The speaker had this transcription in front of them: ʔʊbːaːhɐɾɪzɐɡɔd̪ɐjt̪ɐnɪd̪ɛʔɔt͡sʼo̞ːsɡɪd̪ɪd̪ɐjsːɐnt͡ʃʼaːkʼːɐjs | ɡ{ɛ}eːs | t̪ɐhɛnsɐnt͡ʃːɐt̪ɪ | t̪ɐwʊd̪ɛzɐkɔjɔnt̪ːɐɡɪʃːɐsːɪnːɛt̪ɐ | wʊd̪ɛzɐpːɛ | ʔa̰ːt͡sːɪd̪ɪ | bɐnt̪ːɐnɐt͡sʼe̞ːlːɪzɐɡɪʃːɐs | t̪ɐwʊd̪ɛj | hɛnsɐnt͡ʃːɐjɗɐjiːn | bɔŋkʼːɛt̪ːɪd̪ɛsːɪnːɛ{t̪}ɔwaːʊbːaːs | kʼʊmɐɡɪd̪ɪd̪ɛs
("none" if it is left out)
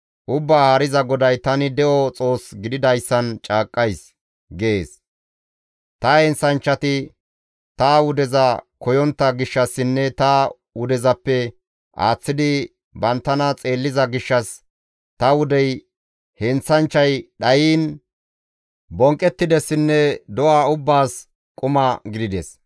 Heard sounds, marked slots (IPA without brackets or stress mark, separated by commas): e, d̪